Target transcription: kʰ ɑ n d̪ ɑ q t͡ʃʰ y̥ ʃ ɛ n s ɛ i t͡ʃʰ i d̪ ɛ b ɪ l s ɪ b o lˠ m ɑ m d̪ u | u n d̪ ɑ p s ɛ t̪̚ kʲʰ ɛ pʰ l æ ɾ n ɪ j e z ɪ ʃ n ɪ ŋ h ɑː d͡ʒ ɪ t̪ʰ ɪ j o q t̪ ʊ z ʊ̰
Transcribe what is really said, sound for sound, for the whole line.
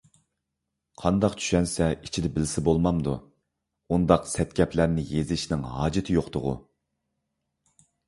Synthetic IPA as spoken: qʰ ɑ n d̪ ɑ q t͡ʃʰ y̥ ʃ ɛ n s ɛ i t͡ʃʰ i d̪ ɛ b ɪ l s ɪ b o lˠ m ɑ m d̪ u | u n d̪ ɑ q s ɛ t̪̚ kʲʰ ɛ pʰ l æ ɾ n ɪ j e z ɪ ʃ n ɪ ŋ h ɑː d͡ʒ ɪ t̪ʰ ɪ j o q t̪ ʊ ʁ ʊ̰

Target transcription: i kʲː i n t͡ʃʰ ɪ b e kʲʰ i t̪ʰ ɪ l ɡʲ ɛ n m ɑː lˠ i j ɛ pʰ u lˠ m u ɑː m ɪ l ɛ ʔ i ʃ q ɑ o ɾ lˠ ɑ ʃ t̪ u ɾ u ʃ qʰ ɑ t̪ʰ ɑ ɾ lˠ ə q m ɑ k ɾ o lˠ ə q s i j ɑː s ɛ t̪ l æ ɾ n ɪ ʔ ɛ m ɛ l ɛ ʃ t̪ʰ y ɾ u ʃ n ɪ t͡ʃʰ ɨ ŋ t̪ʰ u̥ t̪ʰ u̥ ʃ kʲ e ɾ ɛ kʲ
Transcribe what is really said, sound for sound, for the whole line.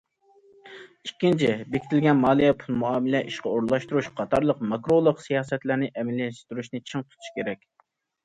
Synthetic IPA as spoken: i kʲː i n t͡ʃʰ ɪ b e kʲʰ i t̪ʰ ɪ l ɡʲ ɛ n m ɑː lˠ i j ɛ pʰ u lˠ m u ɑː m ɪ l ɛ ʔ i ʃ q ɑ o ɾ lˠ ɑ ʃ t̪ u ɾ u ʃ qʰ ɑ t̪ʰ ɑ ɾ lˠ ə q m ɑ k ɾ o lˠ ə q s i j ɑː s ɛ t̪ l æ ɾ n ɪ ʔ ɛ m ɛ l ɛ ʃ t̪ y ɾ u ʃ n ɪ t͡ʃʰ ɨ ŋ t̪ʰ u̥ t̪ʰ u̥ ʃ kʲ e ɾ ɛ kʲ

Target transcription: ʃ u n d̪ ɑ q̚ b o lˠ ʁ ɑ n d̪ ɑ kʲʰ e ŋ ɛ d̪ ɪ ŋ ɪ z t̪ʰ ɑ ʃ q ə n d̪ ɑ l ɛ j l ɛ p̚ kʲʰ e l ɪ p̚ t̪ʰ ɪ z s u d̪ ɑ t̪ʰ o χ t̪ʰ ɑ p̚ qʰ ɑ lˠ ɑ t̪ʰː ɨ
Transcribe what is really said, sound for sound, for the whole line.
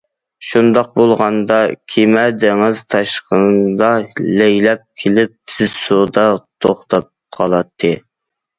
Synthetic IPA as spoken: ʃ u n d̪ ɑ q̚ b o lˠ ʁ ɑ n d̪ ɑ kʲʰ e m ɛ d̪ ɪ ŋ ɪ z t̪ʰ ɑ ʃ q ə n d̪ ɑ l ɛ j l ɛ p̚ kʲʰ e l ɪ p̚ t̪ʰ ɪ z s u d̪ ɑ t̪ʰ o χ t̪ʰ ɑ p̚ qʰ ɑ lˠ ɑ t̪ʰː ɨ

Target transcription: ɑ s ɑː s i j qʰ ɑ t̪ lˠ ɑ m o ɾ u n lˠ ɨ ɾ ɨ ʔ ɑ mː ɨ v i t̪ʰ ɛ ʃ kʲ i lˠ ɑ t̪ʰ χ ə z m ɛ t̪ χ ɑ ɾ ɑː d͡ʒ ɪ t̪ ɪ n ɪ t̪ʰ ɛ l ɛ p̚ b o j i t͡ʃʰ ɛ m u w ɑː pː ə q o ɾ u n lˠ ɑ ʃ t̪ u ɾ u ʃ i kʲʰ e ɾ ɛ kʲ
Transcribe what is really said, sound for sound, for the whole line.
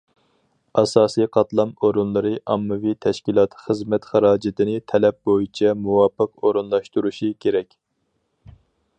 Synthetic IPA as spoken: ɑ s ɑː s i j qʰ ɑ t̪ lˠ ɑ m o ɾ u n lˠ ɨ ɾ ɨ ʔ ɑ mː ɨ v i t̪ʰ ɛ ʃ kʲ i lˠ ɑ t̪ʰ χ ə z m ɛ t̪ χ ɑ ɾ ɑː d͡ʒ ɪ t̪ ɪ n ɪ t̪ʰ ɛ l ɛ p̚ b o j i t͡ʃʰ ɛ m u w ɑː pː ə q o ɾ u n lˠ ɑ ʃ t̪ u ɾ u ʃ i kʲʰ e ɾ ɛ kʲ

